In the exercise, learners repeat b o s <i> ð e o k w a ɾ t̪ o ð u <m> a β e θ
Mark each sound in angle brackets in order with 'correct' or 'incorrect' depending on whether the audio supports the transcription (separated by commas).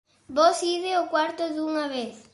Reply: correct, incorrect